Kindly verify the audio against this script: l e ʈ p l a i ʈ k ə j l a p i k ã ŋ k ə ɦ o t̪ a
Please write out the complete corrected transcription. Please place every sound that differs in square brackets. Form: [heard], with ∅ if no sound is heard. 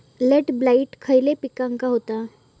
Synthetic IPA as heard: l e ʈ [b] l a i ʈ [kʰ] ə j l [e] p i k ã ŋ k [a] ɦ o t̪ a